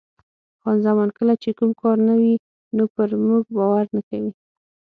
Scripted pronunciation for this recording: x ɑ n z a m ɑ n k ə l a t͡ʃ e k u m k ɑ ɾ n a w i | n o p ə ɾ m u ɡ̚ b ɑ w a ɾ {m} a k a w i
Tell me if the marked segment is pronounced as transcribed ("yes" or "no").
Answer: no